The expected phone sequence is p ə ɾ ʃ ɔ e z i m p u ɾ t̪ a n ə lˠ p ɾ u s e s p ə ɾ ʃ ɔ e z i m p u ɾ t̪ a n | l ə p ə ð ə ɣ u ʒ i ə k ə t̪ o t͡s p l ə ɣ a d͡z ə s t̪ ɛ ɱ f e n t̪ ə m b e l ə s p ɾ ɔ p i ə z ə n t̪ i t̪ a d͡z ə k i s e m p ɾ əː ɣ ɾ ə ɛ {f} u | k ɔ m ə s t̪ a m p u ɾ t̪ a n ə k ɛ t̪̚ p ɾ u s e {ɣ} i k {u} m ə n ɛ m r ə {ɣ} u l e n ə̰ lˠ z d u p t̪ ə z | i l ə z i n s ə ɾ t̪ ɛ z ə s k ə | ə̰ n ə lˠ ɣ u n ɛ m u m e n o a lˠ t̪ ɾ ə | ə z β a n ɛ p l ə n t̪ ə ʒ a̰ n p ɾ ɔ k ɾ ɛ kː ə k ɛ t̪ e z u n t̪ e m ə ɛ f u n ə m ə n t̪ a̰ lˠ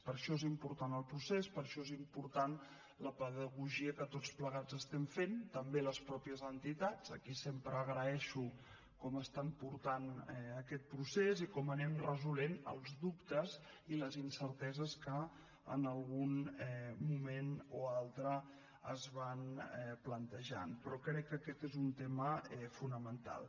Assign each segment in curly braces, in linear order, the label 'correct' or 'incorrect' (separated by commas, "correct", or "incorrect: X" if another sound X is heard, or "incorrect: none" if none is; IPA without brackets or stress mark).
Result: incorrect: ʃ, incorrect: z, incorrect: ɔ, incorrect: z